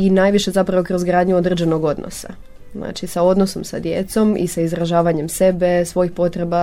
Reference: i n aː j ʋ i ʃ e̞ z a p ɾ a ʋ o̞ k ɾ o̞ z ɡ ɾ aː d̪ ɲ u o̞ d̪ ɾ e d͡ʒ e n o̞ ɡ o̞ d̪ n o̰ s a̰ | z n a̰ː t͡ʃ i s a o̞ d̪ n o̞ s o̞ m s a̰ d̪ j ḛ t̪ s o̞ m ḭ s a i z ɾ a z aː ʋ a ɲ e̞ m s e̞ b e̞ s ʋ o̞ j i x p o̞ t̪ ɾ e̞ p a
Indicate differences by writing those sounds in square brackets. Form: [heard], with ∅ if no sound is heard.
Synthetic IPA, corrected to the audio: i n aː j ʋ i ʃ e̞ z a p ɾ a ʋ o̞ k ɾ o̞ z ɡ ɾ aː d̪ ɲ u o̞ d̪ ɾ e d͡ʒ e n o̞ ɡ o̞ d̪ n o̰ s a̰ | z n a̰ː t͡ʃ i s a o̞ d̪ n o̞ s o̞ m s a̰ d̪ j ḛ t̪ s o̞ m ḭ s a i z ɾ a [ʒ] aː ʋ a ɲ e̞ m s e̞ b e̞ s ʋ o̞ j i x p o̞ t̪ ɾ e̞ [b] a